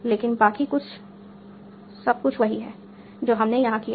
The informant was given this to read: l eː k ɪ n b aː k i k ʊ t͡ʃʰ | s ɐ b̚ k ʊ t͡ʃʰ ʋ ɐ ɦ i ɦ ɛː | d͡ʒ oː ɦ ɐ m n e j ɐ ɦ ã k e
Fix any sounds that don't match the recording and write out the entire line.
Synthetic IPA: l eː k ɪ n b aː k i k ʊ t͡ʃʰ | s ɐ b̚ k ʊ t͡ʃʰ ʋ ɐ ɦ i ɦ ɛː | d͡ʒ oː ɦ ɐ m n e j ɐ ɦ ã k i